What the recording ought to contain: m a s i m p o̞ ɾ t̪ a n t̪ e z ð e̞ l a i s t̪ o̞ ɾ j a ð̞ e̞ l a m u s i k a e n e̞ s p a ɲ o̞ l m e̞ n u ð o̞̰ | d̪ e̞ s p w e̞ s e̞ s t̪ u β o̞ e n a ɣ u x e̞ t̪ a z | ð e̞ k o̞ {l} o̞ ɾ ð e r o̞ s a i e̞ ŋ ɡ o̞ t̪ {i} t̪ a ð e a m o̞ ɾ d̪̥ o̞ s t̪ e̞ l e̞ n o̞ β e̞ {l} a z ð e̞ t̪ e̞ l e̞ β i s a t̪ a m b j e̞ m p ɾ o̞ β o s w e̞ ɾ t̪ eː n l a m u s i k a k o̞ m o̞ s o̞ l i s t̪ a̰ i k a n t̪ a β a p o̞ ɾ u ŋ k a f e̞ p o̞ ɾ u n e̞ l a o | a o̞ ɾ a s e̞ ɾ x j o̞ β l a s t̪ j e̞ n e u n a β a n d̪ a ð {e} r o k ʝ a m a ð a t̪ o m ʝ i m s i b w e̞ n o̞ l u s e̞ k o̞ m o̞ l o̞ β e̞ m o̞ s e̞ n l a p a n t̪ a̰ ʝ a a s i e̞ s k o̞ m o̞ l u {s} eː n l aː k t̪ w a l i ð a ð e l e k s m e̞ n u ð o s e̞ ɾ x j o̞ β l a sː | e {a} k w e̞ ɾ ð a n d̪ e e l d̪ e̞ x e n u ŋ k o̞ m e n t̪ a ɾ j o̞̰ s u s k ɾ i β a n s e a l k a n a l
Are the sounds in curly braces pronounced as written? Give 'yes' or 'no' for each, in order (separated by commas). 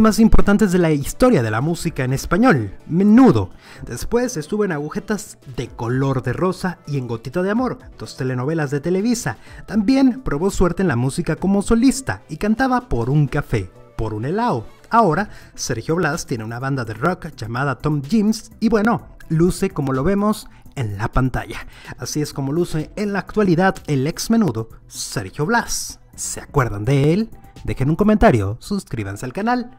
yes, yes, yes, yes, yes, yes